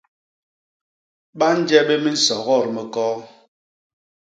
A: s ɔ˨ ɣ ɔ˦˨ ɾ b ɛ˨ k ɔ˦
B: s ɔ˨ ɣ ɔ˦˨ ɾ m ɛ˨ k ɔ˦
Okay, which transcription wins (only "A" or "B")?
B